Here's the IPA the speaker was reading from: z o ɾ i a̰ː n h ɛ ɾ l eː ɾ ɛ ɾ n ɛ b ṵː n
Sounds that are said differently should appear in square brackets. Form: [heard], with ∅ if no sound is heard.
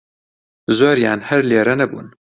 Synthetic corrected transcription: z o ɾ [j] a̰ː n h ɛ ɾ l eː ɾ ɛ [∅] n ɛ b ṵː n

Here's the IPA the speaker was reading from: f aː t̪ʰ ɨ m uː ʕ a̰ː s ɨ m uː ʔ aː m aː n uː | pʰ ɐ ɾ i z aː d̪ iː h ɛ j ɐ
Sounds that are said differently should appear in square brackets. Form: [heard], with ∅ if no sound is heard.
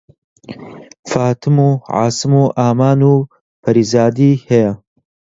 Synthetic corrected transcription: f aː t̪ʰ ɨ m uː ʕ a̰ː s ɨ m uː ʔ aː m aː n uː | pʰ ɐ ɾ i z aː d̪ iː h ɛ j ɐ

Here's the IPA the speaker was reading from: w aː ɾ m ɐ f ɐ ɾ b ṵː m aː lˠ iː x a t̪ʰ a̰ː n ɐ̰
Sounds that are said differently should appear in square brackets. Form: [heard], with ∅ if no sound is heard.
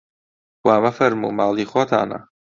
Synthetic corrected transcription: w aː [∅] m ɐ f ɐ ɾ [m] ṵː m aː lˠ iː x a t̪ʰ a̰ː n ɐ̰

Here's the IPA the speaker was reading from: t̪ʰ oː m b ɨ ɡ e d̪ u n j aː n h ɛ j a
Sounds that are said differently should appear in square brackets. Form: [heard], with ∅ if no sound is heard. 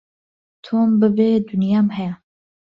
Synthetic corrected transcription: t̪ʰ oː m b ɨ [b] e d̪ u n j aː [m] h ɛ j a

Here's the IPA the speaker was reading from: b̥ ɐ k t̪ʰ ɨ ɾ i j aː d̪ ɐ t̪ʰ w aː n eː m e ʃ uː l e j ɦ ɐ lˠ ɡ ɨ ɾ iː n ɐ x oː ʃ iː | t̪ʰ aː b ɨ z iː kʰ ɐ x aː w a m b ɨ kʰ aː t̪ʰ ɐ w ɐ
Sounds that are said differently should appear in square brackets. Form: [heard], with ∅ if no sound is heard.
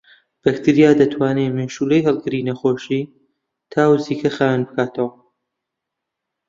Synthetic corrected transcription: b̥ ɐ k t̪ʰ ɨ ɾ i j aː d̪ ɐ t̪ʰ w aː n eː m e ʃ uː l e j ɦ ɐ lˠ ɡ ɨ ɾ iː n ɐ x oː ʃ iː | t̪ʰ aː [w] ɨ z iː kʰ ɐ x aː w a [n] b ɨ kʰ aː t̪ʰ ɐ w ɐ

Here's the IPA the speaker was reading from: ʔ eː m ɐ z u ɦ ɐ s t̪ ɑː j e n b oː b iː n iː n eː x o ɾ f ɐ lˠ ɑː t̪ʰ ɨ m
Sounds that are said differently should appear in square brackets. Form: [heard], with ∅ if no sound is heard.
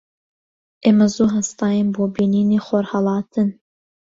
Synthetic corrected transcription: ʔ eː m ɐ z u ɦ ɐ s t̪ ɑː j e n b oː b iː n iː n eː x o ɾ [h] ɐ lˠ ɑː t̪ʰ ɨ [n]

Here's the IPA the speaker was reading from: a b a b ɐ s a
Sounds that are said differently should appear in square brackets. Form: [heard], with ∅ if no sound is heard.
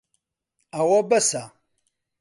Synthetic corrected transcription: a [w] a b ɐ s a

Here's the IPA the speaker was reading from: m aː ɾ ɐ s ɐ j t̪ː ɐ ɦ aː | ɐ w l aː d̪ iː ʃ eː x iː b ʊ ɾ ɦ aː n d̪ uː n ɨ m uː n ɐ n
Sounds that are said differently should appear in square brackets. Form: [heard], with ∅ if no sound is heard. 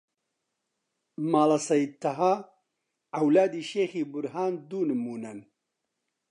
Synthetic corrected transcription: m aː [l] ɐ s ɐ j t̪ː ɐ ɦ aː | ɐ w l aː d̪ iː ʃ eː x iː b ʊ ɾ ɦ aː n d̪ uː n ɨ m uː n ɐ n

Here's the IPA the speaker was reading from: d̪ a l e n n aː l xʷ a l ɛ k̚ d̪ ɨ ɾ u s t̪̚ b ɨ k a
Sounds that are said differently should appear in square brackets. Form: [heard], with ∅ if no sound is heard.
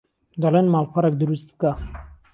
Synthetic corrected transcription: d̪ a l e n [m] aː l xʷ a [ɾ] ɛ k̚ d̪ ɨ ɾ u s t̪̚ b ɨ k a

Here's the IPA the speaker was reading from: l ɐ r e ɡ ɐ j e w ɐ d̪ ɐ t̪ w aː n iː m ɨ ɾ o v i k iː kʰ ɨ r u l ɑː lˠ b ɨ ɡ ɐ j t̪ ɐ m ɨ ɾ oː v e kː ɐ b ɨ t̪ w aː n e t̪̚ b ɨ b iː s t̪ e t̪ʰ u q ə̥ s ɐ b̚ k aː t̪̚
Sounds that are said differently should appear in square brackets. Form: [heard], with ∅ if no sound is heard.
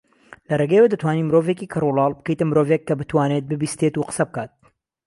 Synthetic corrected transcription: l ɐ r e ɡ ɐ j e w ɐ d̪ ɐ t̪ w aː n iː m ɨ ɾ o v [e] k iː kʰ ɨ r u l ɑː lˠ b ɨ [k] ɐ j t̪ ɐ m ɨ ɾ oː v e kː ɐ b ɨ t̪ w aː n e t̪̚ b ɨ b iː s t̪ e [t̪] u q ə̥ s ɐ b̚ k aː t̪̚

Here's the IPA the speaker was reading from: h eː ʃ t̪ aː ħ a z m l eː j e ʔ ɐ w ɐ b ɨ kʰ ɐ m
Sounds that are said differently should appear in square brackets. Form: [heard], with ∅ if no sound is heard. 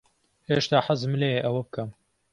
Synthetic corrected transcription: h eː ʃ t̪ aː ħ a z m l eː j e ʔ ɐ w ɐ b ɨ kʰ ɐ m

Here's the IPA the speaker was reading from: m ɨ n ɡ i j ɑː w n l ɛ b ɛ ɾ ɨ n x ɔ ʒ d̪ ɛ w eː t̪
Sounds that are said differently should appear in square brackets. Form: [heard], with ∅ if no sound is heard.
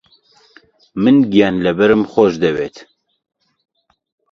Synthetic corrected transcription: m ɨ n ɡ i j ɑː [∅] n l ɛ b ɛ ɾ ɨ [m] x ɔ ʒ d̪ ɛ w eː t̪

